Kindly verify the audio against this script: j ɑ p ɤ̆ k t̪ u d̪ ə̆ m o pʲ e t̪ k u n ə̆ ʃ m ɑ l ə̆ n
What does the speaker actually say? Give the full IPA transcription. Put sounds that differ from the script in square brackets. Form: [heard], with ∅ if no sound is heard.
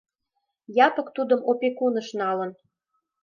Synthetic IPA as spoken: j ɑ p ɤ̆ k t̪ u d̪ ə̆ m o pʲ e [∅] k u n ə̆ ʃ [n] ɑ l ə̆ n